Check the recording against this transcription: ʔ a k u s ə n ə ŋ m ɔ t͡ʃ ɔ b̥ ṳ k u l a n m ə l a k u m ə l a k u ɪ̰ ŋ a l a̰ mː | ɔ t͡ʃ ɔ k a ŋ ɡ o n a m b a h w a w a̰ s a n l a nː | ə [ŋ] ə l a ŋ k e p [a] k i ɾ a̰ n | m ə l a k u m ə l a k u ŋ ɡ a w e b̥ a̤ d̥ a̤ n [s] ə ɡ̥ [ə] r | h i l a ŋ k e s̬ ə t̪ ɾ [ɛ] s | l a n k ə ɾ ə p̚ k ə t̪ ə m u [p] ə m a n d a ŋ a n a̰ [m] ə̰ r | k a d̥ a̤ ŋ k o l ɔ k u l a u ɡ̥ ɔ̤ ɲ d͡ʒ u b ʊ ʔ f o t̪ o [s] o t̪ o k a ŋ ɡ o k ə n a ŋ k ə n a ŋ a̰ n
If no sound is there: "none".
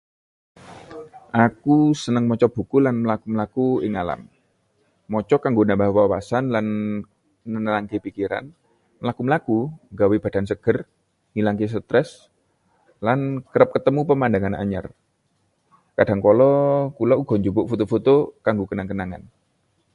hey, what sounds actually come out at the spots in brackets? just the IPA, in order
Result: n, i, s, ə, ɛ, p, ɲ, f

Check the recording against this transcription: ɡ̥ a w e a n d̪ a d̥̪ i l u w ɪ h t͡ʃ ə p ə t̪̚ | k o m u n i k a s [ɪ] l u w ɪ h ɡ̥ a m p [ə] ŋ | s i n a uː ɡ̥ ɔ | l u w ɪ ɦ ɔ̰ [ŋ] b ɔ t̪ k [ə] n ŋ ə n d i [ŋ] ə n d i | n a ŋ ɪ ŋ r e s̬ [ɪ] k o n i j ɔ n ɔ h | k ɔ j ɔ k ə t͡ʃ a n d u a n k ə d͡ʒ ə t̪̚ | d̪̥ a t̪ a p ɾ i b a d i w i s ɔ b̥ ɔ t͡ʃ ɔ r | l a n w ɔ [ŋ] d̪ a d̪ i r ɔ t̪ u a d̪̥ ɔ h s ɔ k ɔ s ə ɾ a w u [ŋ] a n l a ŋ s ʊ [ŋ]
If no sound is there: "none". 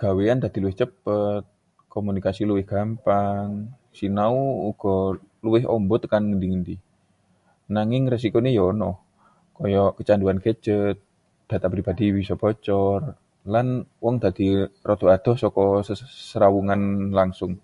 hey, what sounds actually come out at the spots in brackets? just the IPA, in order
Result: i, a, m, a, ŋ, i, ŋ, ŋ, ŋ

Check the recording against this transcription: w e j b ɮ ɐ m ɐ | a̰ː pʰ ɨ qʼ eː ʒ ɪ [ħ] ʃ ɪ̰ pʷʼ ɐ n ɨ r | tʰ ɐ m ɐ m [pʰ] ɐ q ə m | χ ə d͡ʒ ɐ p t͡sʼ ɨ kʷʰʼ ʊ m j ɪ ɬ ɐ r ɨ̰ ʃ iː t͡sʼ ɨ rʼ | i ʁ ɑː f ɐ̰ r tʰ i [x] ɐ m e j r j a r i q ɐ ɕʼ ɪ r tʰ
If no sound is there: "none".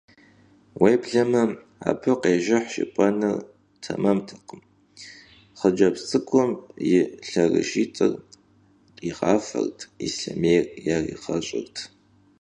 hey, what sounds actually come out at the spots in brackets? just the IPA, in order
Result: ħ, tʰ, s

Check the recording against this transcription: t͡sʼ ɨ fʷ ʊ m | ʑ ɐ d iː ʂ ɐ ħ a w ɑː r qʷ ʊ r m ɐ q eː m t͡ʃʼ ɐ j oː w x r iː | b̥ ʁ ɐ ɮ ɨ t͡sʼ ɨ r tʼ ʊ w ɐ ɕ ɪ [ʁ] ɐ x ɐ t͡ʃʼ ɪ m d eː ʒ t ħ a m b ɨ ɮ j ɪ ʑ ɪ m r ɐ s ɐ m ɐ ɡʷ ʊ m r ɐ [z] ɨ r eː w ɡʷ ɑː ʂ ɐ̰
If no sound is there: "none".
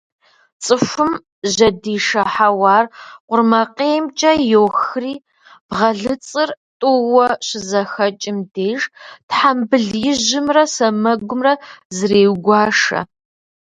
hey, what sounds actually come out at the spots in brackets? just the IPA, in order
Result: z, z

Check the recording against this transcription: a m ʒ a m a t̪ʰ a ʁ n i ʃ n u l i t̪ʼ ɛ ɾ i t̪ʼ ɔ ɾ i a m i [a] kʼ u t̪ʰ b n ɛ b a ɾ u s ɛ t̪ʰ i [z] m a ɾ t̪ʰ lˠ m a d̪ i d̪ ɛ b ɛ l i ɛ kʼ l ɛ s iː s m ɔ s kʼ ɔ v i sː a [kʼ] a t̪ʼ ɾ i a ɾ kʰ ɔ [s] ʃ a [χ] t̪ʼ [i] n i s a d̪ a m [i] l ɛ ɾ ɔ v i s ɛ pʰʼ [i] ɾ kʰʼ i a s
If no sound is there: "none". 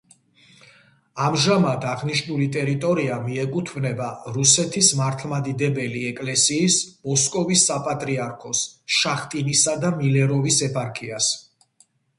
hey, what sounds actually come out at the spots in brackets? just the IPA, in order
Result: ɛ, s, pʼ, s, χ, i, i, a

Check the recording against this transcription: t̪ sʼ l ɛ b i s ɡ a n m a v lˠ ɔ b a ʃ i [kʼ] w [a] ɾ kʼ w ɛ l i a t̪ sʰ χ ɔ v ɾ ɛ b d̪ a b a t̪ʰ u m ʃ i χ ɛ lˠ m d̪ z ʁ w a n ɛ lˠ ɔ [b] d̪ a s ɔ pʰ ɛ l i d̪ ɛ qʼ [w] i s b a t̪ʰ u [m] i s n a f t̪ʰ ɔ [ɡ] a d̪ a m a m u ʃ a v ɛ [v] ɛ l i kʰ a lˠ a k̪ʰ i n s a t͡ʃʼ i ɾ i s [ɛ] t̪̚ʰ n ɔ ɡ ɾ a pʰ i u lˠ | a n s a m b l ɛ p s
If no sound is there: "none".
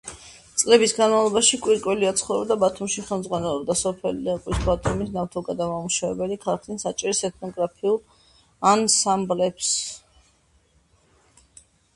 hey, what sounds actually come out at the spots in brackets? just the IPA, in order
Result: kʼ, i, b, w, m, ɡ, b, ɛ

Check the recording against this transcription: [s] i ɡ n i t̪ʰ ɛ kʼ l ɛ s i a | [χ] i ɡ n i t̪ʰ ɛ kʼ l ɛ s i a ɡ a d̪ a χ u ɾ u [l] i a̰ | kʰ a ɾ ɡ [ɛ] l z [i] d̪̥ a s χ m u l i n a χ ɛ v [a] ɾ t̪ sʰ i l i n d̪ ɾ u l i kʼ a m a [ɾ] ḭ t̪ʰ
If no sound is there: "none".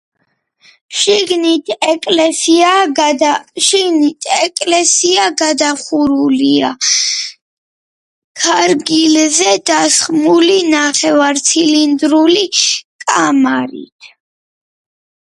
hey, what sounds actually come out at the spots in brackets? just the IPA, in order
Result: ʃ, ʃ, l, i, ɛ, a, ɾ

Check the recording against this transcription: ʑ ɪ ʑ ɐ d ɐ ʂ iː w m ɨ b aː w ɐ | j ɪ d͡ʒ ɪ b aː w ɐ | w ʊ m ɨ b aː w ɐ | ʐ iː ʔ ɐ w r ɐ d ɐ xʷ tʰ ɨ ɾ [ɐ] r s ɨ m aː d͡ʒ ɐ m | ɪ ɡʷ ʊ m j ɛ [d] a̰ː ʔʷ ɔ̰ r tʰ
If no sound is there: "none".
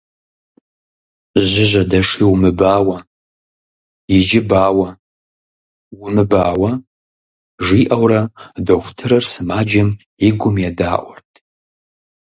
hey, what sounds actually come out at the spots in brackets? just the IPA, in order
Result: ɐ, d

